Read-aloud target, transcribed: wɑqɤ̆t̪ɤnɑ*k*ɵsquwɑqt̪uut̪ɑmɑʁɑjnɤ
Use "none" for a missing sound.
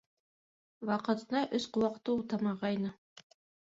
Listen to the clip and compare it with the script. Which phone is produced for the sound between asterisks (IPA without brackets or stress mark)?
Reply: ʔ